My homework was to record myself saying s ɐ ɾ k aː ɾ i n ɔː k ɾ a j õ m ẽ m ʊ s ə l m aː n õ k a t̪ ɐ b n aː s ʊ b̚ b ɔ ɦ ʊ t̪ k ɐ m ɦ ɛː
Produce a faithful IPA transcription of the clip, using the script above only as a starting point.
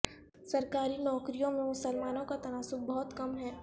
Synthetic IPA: s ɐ ɾ k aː ɾ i n ɔː k ɾ i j õ m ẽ m ʊ s ə l m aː n õ k a t̪ ɐ n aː s ʊ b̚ b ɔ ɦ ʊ t̪ k ɐ m ɦ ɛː